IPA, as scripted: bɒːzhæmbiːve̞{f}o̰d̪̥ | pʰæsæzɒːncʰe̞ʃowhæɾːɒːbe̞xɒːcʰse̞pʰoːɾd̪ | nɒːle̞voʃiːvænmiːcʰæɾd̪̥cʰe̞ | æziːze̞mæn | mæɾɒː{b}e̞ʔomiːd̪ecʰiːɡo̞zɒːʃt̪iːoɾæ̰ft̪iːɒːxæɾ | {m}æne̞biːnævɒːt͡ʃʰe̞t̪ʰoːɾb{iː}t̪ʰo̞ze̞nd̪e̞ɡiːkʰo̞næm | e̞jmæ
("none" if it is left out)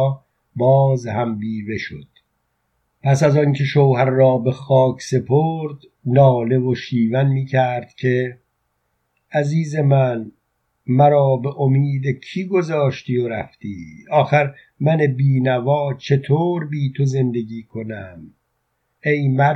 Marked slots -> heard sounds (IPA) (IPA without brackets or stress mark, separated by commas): ʃ, b, m, iː